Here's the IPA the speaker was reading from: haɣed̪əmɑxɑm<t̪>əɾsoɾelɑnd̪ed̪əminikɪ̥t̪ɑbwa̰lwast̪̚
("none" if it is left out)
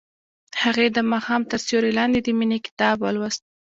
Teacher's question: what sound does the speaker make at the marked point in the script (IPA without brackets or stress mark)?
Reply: t̪